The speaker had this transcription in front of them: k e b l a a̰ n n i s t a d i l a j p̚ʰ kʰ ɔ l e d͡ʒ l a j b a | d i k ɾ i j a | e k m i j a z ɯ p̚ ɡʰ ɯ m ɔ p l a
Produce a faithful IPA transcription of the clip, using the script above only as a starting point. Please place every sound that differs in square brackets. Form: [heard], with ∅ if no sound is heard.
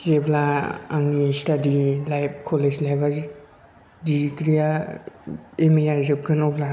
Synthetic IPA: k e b l a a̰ [ŋ] n i s t a d i l a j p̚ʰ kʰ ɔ l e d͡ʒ l a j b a | d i k ɾ i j a | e [∅] m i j a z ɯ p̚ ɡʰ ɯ [n] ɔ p l a